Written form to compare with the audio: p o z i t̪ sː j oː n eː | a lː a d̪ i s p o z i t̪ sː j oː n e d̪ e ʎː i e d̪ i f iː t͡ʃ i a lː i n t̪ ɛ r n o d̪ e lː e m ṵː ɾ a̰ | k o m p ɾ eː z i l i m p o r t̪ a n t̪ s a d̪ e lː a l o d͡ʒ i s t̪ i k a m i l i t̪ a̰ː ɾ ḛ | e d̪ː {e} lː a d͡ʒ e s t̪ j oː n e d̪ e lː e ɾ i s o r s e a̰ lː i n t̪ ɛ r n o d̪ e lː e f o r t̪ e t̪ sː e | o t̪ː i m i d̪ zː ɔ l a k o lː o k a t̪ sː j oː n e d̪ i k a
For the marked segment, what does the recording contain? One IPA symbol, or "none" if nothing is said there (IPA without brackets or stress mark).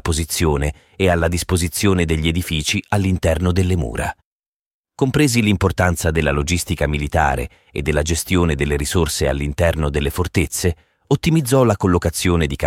e